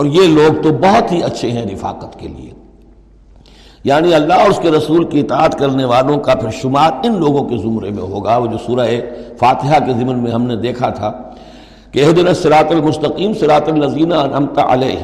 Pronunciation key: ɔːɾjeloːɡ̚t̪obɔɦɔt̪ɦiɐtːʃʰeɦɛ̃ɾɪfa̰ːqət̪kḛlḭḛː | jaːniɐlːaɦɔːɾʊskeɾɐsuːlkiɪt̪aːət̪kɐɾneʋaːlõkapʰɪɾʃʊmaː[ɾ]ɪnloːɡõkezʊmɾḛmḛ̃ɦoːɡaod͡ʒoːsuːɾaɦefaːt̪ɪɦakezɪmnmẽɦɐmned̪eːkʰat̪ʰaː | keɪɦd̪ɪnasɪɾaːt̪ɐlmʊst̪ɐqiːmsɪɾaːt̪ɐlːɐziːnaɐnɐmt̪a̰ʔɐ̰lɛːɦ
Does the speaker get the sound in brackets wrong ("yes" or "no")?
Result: no